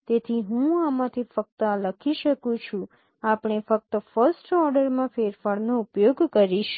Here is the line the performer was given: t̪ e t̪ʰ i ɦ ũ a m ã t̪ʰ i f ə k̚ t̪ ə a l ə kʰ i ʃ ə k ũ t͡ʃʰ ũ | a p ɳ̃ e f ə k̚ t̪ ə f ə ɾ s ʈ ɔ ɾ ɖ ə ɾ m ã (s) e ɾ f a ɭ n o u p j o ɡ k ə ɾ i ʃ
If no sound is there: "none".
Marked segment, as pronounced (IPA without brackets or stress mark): f